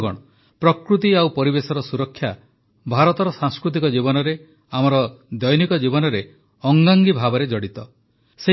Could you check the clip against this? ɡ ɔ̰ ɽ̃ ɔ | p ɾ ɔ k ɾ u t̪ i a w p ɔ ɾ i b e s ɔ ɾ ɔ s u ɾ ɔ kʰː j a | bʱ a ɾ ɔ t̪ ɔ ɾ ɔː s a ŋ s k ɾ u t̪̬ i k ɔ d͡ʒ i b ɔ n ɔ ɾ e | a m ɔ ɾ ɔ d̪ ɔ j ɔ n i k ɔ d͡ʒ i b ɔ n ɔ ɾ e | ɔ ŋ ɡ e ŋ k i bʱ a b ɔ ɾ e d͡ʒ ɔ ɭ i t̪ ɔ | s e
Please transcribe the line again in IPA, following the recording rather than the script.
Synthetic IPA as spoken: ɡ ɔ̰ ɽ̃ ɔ | p ɾ ɔ k ɾ u t̪ i a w p ɔ ɾ i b e s ɔ ɾ ɔ s u ɾ ɔ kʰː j a | bʱ a ɾ ɔ t̪ ɔ ɾ ɔ s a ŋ s k ɾ u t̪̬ i k ɔ d͡ʒ i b ɔ n ɔ ɾ e | a m ɔ ɾ ɔ d̪ ɔ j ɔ n i k ɔ d͡ʒ i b ɔ n ɔ ɾ e | ɔ ŋ ɡ a ŋ ɡ i bʱ a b ɔ ɾ e d͡ʒ ɔ ɽ i t̪ ɔ | s e